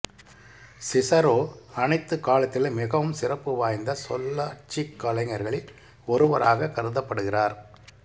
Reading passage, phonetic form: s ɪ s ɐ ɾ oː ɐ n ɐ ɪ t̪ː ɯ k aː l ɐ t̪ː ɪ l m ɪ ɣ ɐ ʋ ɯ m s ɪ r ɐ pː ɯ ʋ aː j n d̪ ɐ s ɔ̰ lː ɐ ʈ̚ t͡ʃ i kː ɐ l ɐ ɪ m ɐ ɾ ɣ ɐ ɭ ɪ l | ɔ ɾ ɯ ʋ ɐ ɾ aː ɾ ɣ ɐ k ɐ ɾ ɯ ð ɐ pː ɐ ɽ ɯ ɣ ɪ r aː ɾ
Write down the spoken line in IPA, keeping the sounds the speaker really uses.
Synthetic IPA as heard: s ɪ s ɐ ɾ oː ɐ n ɐ ɪ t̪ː ɯ k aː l ɐ t̪ː ɪ l m ɪ ɣ ɐ ʋ ɯ m s ɪ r ɐ pː ɯ ʋ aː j n d̪ ɐ s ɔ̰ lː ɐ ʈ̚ t͡ʃ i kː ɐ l ɐ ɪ ŋ ɐ ɾ ɣ ɐ ɭ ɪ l | ɔ ɾ ɯ ʋ ɐ ɾ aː ɣ ɐ k ɐ ɾ ɯ ð ɐ pː ɐ ɽ ɯ ɣ ɪ r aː ɾ